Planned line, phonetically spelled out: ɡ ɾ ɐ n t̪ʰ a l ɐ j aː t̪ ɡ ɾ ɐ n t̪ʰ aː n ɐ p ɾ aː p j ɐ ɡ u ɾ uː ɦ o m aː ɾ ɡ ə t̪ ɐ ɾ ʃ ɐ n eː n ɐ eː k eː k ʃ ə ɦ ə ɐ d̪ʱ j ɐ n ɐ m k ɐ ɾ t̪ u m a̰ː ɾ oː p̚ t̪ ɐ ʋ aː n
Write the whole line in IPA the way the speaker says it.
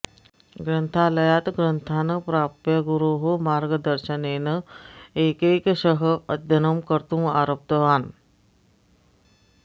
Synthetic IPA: ɡ ɾ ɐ n t̪ʰ a l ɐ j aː t̪ ɡ ɾ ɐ n t̪ʰ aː n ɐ p ɾ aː p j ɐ ɡ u ɾ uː ɦ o m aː ɾ ɡ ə d̪ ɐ ɾ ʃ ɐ n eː n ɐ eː k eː k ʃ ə ɦ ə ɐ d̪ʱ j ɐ n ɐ m k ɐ ɾ t̪ u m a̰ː ɾ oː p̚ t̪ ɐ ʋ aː n